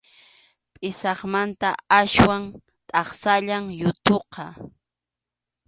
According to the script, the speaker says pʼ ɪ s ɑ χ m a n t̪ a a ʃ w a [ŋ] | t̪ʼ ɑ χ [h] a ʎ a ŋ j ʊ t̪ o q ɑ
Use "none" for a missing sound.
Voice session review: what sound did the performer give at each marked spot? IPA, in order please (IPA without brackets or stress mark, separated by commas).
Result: ŋ, s